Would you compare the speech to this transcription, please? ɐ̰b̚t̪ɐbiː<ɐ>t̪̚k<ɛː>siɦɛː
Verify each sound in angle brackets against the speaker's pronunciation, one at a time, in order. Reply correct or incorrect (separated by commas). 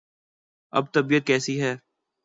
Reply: incorrect, correct